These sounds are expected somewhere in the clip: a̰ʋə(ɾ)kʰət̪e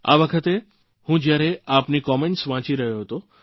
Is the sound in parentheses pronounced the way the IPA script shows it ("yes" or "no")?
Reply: no